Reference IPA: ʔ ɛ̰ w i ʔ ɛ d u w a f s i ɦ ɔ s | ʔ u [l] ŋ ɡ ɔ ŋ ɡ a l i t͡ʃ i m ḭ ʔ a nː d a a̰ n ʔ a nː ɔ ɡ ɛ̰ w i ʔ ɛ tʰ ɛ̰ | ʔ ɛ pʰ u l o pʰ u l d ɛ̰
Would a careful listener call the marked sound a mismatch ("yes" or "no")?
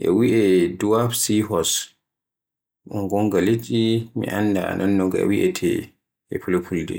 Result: yes